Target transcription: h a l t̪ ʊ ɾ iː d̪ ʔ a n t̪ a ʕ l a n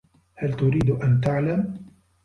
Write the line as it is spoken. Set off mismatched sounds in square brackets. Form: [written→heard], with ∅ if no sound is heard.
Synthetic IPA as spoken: h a l t̪ ʊ ɾ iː d̪ ʔ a n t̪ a ʕ l a [n→m]